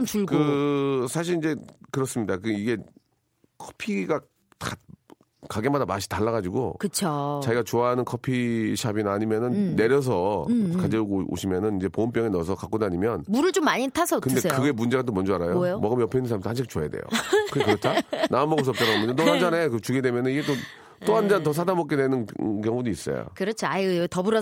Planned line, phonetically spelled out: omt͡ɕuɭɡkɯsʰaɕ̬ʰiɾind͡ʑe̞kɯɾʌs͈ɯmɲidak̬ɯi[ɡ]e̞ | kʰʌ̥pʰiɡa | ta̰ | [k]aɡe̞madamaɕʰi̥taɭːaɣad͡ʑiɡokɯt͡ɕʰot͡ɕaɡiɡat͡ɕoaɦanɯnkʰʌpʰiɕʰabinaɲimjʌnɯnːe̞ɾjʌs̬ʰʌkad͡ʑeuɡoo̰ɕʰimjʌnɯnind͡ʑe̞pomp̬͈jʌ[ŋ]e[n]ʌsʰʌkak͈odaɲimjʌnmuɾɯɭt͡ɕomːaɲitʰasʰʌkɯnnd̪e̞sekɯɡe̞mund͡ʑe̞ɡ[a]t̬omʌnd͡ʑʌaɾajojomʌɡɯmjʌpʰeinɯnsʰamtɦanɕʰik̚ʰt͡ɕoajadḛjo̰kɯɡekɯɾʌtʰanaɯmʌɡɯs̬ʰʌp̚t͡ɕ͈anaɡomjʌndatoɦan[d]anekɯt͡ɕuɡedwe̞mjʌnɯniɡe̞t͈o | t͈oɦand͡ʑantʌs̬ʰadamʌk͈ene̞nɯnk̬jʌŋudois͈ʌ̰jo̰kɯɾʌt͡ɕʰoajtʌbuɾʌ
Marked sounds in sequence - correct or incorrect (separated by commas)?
correct, correct, correct, correct, correct, incorrect